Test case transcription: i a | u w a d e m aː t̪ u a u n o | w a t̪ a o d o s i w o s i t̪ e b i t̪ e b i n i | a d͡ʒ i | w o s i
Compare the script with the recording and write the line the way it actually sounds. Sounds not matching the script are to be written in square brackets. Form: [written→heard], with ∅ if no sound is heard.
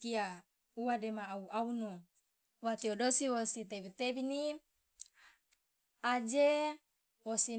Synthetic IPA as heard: i a | u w a d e m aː [t̪→∅] u a u n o | w a t̪ [a→i] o d o s i w o s i t̪ e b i t̪ e b i n i | a d͡ʒ [i→e] | w o s i